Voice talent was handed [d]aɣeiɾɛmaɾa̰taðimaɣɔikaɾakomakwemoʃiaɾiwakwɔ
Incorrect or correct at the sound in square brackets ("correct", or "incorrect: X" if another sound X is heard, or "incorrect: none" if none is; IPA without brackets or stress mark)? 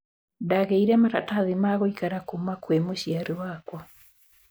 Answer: correct